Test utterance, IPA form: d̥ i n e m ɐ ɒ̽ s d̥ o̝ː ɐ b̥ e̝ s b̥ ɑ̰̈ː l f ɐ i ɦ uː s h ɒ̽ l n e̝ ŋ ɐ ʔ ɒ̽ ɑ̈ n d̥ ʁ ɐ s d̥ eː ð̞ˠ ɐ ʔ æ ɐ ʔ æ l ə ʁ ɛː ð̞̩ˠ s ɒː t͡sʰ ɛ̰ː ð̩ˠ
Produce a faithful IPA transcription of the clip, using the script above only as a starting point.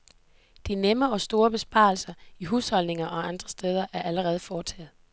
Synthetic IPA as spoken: d̥ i n e m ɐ ɒ̽ s d̥ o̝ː ɐ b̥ e̝ s b̥ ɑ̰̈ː l s ɐ i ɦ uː s h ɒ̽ l n e̝ ŋ ɐ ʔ ɒ̽ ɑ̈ n d̥ ʁ ɐ s d̥ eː ð̞ˠ ɐ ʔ æ ɐ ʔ æ l ə ʁ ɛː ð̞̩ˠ f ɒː t͡sʰ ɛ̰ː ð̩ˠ